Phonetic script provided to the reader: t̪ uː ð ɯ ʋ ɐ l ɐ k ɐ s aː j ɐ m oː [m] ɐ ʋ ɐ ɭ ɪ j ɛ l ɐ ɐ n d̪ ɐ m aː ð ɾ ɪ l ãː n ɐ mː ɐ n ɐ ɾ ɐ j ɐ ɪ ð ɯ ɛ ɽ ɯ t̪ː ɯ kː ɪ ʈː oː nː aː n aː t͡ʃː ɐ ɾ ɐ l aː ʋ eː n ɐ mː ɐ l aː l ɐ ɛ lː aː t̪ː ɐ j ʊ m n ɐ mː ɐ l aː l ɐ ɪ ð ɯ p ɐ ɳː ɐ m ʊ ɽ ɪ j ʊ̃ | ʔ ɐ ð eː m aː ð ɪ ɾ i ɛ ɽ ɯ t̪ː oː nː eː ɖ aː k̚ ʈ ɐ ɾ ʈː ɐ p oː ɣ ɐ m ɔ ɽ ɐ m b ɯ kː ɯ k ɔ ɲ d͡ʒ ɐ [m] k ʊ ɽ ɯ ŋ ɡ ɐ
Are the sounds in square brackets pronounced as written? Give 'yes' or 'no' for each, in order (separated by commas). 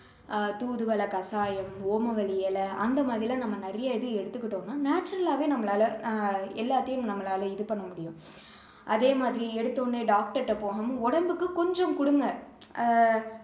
yes, yes